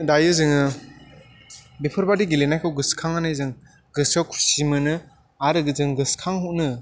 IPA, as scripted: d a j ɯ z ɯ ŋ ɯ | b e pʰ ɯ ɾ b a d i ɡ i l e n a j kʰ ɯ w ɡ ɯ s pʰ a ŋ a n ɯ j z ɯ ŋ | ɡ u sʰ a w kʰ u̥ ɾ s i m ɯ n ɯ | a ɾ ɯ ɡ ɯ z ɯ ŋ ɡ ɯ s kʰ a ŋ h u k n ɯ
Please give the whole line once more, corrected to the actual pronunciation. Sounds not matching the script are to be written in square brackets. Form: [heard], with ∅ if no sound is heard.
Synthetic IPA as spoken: d a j ɯ z ɯ ŋ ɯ | b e pʰ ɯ ɾ b a d i ɡ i l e n a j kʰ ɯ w ɡ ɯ s [kʰ] a ŋ a n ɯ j z ɯ ŋ | ɡ [ɯ] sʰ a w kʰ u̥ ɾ s i m ɯ n ɯ | a ɾ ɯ ɡ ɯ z ɯ ŋ ɡ ɯ s kʰ a ŋ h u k n ɯ